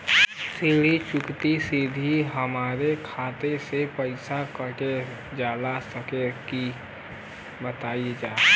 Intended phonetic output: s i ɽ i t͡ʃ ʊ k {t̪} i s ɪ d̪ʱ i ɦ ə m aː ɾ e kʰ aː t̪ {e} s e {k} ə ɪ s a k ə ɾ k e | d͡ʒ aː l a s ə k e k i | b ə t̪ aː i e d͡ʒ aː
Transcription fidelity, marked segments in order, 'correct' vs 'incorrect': correct, correct, incorrect: p

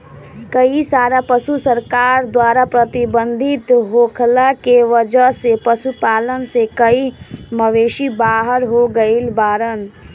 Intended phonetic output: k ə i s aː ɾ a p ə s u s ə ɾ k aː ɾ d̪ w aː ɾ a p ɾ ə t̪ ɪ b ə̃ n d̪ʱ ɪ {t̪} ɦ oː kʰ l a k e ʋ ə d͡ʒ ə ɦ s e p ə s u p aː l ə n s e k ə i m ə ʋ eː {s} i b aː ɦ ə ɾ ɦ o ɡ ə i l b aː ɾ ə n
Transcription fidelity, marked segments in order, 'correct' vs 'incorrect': correct, incorrect: ʃ

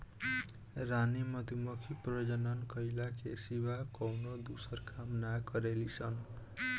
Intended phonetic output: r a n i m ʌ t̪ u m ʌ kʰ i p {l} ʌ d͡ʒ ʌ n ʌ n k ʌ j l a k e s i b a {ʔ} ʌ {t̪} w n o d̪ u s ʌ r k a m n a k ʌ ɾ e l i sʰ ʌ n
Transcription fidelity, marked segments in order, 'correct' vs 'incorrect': incorrect: r, incorrect: k, incorrect: none

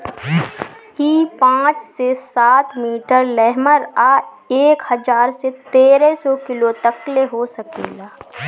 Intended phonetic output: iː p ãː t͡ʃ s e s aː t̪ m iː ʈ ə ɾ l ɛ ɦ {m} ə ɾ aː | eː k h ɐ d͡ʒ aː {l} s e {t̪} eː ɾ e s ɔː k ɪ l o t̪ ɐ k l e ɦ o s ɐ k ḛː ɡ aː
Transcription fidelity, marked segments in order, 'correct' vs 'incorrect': correct, incorrect: ɾ, correct

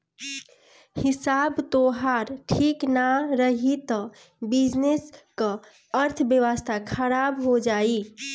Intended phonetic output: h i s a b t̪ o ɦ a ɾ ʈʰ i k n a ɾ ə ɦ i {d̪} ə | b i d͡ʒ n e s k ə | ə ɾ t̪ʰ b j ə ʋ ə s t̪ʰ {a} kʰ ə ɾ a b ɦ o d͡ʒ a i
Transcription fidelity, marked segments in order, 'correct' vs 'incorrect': incorrect: t̪, correct

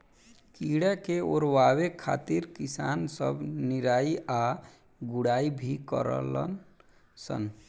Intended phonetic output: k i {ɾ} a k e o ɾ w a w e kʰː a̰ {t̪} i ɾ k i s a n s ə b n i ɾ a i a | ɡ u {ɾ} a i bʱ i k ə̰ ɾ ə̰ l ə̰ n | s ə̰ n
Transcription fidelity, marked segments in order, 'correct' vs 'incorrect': incorrect: ɽ, correct, incorrect: ɽ

